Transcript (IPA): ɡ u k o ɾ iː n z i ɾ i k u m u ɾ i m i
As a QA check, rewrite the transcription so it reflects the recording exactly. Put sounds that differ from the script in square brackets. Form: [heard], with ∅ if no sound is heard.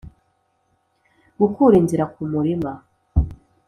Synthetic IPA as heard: ɡ u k [u] ɾ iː n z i ɾ [a] k u m u ɾ i m [a]